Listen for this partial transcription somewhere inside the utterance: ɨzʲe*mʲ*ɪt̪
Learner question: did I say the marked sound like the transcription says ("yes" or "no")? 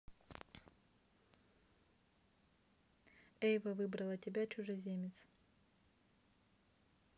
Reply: yes